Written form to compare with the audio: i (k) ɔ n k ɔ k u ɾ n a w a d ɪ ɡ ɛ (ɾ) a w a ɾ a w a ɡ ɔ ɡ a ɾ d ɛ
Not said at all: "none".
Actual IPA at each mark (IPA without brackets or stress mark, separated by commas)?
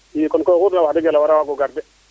k, l